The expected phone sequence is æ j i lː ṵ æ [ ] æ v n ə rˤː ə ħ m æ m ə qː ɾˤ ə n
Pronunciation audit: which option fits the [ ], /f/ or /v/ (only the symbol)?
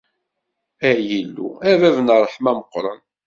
v